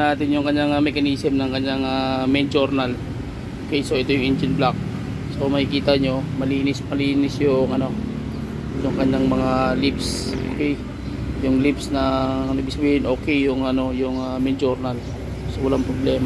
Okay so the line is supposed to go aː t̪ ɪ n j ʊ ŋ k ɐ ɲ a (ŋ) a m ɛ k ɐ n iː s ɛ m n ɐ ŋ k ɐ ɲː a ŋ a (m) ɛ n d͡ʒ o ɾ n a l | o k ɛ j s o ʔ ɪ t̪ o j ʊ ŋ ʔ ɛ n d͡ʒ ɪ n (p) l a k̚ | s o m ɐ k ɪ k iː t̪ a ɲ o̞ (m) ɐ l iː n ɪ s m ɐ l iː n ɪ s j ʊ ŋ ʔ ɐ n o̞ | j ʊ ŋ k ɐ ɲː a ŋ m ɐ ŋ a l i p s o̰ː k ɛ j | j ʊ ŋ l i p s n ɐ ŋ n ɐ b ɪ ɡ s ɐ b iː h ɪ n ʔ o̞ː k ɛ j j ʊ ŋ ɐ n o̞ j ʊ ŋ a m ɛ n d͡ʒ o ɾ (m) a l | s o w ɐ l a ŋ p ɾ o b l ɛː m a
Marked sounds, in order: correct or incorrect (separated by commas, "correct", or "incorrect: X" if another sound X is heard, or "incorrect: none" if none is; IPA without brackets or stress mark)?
correct, correct, incorrect: b, correct, incorrect: n